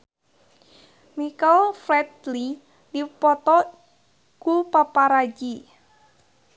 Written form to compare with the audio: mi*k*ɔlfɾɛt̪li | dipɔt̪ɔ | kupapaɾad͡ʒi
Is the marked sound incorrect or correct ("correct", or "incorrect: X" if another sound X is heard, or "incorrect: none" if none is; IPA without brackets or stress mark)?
correct